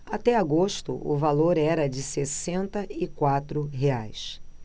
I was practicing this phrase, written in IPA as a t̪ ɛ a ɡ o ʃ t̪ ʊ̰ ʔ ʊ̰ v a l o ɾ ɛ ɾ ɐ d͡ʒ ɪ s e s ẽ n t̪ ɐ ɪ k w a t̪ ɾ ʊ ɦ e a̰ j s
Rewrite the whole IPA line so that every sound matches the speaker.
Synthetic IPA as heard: a t̪ ɛ a ɡ o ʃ t̪ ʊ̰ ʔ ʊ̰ v a l o ɾ ɛ ɾ ɐ d͡ʒ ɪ s e s ẽ n t̪ ɐ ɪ k w a t̪ ɾ ʊ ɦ e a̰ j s